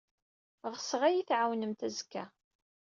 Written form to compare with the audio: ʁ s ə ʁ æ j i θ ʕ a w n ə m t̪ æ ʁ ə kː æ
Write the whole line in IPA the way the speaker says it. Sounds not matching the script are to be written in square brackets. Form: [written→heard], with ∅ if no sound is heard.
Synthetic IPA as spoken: ʁ s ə ʁ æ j i θ ʕ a w n ə m t̪ æ [ʁ→z] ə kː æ

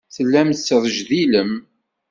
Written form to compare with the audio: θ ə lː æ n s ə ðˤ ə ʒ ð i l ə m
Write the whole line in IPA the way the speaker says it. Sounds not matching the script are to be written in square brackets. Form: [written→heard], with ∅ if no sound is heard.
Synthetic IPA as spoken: θ ə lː æ [n→m] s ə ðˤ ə ʒ ð i l ə m

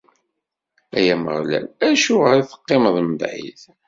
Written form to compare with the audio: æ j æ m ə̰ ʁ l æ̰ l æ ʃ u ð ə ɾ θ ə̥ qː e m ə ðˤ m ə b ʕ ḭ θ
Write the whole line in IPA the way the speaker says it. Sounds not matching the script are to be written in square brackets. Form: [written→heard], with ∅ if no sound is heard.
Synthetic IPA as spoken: æ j æ m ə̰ ʁ l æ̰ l æ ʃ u [ð→ʁ] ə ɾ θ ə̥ qː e m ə ðˤ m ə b ʕ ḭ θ

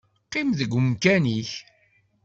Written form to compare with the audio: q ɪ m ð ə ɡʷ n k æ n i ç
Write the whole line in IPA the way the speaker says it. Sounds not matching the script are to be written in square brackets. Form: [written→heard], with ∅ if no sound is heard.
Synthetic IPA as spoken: q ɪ m ð ə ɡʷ [n→m] k æ n i ç

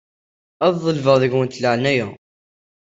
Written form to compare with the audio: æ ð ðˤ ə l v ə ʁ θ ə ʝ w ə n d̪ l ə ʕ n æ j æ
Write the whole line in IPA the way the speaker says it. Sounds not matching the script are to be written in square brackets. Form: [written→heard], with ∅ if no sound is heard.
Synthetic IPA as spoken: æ ð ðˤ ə l v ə ʁ [θ→ð] ə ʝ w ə n [d̪→t̪] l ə ʕ n æ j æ

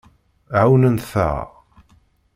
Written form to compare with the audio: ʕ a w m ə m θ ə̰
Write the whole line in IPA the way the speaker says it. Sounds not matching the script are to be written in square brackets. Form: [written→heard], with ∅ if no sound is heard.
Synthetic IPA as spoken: ʕ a w [m→n] ə [m→n] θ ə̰

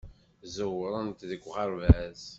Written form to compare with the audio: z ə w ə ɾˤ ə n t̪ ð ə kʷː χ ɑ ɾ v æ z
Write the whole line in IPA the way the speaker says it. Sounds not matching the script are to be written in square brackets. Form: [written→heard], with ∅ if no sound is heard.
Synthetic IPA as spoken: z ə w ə ɾˤ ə n t̪ ð ə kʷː [χ→ʁ] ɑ ɾ v æ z

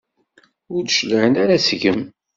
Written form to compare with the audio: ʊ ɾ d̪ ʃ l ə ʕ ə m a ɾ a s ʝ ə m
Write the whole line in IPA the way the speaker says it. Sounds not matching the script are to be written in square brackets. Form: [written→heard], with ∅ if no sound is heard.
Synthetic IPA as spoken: ʊ ɾ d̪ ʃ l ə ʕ ə [m→n] a ɾ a s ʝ ə m

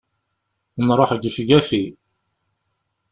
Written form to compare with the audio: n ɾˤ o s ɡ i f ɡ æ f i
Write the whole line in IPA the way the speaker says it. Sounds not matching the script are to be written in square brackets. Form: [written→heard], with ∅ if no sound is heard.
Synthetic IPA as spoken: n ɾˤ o [s→ħ] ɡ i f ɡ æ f i

